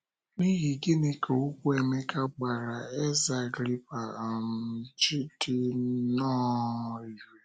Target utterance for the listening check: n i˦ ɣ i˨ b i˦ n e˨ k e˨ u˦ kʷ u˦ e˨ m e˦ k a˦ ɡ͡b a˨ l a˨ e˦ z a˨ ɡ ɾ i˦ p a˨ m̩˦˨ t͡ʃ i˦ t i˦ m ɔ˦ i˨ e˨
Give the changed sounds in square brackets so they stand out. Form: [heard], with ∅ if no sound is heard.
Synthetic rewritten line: n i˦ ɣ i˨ [ɡ] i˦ n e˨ k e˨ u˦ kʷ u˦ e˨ m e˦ k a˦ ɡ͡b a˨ [ɾ] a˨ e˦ z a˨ ɡ ɾ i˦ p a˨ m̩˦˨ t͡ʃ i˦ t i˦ [n] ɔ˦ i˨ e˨